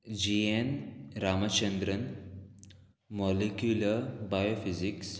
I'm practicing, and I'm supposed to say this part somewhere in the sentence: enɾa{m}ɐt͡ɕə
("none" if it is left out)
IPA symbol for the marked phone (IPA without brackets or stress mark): m